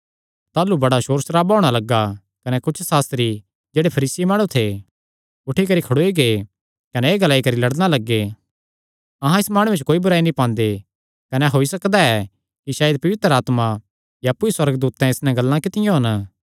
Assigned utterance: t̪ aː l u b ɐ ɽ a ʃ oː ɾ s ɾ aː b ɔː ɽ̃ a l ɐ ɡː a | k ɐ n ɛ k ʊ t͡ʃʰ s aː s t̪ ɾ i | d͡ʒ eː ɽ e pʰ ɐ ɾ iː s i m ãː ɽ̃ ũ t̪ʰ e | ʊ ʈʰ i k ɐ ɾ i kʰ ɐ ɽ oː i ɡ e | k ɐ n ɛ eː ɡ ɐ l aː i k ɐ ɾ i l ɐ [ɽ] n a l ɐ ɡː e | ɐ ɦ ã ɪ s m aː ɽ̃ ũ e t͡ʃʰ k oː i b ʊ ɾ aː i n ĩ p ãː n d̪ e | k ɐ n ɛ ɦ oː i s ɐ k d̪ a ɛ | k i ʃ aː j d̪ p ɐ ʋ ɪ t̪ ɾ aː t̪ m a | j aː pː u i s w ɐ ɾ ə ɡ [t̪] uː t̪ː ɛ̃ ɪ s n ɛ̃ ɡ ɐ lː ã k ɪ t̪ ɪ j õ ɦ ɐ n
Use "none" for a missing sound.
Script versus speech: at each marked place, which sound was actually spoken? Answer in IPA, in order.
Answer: ɽ, d̪

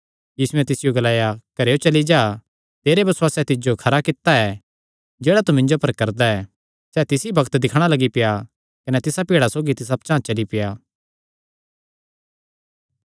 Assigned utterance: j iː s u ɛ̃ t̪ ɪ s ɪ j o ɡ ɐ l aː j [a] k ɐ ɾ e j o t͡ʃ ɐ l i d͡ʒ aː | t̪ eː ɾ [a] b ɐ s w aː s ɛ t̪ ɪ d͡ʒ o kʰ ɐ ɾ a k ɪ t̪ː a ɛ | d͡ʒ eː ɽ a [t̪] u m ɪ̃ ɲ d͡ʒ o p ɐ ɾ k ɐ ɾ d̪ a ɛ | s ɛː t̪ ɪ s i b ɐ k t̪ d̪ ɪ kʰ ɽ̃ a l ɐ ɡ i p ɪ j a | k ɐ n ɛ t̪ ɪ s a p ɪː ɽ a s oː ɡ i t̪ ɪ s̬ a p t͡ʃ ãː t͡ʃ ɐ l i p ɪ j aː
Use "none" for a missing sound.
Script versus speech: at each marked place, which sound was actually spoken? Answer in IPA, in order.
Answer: a, e, t̪

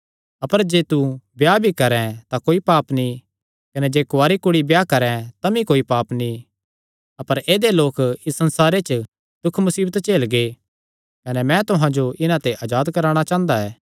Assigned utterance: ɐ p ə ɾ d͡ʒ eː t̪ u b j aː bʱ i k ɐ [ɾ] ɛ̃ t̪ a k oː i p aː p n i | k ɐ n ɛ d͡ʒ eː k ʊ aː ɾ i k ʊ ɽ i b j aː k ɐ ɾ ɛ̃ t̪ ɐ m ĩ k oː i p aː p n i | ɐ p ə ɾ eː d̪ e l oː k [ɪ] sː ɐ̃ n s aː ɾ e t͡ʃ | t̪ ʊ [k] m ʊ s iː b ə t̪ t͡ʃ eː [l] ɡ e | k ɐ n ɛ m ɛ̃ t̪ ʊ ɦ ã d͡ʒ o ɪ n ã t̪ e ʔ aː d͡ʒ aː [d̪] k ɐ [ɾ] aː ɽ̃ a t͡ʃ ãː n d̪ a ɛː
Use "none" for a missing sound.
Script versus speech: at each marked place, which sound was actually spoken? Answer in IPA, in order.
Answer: ɾ, ɪ, kʰ, l, d̪, ɾ

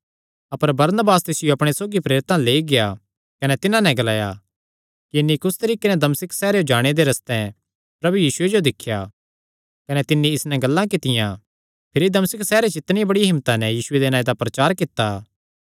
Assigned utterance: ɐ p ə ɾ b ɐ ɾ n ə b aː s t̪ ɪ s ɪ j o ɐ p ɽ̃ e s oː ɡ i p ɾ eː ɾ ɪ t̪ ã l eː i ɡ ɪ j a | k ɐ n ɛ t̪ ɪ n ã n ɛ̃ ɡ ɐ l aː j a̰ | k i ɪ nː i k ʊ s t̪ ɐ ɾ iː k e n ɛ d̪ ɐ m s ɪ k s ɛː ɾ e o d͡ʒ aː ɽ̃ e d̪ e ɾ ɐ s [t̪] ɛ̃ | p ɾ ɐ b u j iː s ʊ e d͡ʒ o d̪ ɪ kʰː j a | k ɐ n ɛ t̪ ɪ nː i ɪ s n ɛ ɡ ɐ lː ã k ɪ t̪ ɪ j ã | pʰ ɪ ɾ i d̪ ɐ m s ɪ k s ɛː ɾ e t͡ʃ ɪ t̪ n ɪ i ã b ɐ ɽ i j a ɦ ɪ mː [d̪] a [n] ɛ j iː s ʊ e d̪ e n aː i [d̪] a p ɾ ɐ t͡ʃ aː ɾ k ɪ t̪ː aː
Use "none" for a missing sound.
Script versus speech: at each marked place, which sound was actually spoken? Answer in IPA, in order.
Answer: t̪, t̪, n, d̪

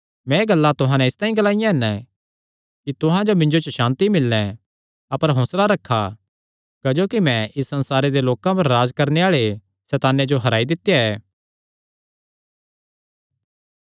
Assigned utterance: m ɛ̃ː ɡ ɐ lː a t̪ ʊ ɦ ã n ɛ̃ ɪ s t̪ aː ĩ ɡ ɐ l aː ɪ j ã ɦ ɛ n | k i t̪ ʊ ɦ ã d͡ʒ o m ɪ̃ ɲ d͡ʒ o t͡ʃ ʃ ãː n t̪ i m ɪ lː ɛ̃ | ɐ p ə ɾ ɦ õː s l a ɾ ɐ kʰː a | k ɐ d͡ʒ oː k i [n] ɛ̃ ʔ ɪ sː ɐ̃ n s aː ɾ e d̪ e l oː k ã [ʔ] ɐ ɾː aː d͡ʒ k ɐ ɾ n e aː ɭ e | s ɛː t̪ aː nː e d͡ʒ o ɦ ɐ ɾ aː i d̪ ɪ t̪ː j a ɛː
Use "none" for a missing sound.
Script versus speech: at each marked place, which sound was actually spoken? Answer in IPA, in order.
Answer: m, p

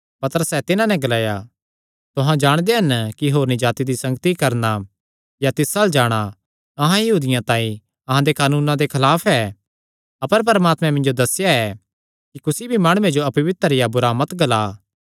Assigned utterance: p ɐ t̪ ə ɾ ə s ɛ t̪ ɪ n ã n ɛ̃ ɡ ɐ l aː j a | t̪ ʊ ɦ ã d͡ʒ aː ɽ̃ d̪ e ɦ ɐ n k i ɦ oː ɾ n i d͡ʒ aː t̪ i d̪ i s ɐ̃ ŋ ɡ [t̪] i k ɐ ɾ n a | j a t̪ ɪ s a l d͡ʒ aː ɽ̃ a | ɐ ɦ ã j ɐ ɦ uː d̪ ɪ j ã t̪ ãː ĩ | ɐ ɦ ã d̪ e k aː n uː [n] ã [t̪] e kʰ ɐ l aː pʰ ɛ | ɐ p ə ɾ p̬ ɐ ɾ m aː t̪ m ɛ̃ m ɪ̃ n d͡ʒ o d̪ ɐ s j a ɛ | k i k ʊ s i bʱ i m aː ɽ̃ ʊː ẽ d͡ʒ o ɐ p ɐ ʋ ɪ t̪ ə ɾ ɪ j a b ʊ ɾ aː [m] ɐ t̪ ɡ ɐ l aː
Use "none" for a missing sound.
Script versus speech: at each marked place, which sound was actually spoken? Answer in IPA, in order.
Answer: t̪, n, d̪, m

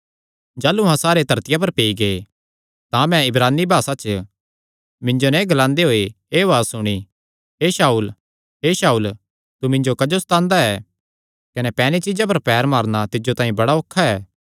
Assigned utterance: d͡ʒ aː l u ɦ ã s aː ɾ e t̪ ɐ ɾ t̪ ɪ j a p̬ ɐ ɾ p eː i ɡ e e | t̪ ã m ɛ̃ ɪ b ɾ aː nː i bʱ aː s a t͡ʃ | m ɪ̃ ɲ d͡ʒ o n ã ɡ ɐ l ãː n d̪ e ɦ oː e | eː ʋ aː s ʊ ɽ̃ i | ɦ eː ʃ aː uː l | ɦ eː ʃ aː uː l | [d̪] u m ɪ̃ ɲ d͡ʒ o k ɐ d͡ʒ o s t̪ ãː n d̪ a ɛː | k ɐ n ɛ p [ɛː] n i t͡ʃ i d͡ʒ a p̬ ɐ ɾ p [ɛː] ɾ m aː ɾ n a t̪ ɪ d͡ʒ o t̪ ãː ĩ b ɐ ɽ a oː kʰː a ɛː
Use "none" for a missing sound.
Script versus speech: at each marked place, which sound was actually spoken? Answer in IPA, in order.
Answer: t̪, ɛː, ɛː

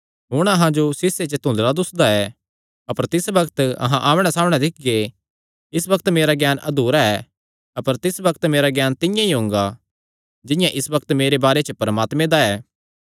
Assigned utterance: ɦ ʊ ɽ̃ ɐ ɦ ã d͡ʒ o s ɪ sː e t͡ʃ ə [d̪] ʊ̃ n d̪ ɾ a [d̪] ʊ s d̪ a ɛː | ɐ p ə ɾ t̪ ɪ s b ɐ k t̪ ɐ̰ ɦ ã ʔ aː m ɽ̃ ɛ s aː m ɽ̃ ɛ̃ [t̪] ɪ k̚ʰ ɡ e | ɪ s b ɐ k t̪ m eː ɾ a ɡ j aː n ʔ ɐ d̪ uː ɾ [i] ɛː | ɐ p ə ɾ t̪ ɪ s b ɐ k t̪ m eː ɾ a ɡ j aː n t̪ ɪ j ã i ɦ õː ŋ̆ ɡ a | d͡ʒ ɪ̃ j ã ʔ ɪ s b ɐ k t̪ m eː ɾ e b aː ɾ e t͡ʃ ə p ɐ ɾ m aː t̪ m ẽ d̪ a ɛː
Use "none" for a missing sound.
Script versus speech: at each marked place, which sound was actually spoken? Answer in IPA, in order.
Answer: t̪, d̪, d̪, a

